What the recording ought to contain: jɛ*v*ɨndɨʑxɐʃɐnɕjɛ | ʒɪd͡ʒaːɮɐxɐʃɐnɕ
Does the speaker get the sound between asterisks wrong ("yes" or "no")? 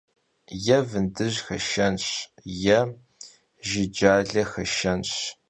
no